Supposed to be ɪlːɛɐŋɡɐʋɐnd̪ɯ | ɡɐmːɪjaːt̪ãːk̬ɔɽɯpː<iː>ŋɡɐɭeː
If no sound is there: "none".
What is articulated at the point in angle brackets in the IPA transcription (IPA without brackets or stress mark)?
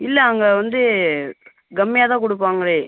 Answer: aː